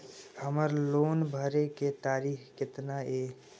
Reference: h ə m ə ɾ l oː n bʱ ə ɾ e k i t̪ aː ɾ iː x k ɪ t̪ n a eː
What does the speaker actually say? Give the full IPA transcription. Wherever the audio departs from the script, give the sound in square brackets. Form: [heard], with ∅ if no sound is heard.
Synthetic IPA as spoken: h ə m ə ɾ l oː n bʱ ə ɾ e k [e] t̪ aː ɾ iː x k ɪ t̪ n a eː